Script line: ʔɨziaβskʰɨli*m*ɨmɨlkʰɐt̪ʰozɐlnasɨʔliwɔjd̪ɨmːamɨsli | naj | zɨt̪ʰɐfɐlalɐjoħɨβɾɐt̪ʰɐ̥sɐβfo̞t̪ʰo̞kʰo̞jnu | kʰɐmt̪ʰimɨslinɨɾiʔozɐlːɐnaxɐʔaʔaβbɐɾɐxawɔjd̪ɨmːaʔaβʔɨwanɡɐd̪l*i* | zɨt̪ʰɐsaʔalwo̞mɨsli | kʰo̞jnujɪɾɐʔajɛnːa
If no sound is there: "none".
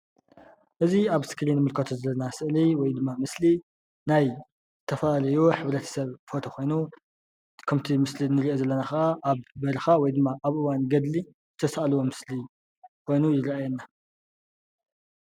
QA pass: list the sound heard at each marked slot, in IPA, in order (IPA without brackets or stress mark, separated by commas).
n, i